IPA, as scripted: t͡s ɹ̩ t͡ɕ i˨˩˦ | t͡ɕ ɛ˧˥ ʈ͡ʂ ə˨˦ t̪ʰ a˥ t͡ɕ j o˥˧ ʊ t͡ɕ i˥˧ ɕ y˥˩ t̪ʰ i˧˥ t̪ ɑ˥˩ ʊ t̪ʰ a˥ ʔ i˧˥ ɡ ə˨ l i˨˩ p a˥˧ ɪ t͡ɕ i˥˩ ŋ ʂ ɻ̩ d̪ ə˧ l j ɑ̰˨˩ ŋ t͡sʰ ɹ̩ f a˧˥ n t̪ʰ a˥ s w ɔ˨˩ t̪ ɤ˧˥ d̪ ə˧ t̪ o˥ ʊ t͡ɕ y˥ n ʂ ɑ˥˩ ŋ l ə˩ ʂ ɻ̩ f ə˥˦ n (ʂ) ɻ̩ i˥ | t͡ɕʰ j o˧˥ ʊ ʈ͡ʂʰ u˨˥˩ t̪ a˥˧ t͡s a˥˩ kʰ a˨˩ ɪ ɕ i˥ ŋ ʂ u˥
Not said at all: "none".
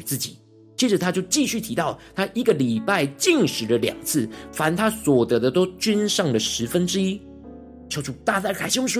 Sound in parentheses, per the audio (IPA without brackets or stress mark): ʈ͡ʂ